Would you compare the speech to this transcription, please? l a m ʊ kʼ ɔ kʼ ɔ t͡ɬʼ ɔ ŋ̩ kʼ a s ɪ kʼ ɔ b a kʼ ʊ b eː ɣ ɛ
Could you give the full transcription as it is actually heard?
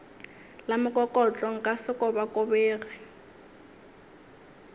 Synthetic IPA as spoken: l a m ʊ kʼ ɔ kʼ ɔ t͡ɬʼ ɔ ŋ̩ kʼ a s ɪ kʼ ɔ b a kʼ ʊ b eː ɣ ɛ

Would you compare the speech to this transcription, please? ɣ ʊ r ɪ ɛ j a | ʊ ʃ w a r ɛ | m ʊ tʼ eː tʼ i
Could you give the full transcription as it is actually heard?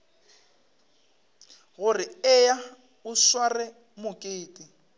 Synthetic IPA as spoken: ɣ ʊ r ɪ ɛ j a | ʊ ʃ w a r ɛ | m ʊ kʼ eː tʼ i

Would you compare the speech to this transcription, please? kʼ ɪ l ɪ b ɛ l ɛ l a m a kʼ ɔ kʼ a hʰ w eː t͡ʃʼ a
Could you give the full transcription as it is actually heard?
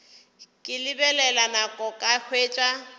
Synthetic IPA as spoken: kʼ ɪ l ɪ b ɛ l ɛ l a n a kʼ ɔ kʼ a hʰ w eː t͡ʃʼ a

